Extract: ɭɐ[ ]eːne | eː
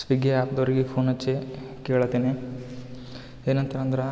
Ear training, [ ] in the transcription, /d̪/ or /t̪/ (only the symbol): t̪